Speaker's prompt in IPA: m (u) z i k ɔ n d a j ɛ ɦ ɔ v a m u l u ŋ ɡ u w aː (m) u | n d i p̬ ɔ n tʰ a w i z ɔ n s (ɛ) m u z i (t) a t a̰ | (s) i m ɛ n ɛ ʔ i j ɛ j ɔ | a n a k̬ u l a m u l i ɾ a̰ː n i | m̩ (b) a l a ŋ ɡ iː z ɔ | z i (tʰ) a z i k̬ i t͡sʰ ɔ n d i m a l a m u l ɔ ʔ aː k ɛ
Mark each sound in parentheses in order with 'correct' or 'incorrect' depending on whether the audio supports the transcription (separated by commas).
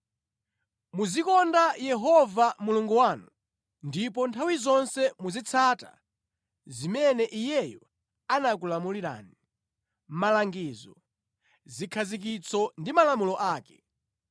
correct, incorrect, correct, incorrect, incorrect, incorrect, incorrect